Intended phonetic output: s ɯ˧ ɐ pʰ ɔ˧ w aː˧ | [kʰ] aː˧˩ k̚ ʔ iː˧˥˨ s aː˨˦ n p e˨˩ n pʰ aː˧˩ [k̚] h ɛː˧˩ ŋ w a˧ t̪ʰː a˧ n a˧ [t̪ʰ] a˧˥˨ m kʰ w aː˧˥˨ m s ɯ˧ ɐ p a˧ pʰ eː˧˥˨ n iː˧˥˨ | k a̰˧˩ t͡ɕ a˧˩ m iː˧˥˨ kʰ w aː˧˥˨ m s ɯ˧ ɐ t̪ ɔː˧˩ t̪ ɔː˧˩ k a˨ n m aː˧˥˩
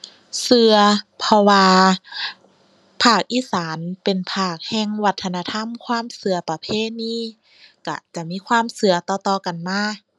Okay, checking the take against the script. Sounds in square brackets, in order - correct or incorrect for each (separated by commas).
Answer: incorrect, correct, correct